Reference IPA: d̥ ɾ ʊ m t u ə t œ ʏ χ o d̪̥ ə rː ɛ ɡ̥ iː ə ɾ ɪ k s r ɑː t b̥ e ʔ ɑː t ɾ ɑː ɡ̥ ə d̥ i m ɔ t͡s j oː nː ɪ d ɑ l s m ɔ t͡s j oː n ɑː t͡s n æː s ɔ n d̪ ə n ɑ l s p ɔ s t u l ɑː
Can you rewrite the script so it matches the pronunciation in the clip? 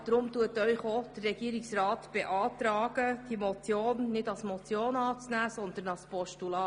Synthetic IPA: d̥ ɾ ʊ m t u ə t œ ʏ χ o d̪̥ ə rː ɛ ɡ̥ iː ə ɾ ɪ k s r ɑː t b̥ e ʔ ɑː t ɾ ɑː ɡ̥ ə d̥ i m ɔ t͡s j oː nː ɪ d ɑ l s m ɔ t͡s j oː n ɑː t͡s n æː s ɔ n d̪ ə n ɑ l s p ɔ ʃ t u l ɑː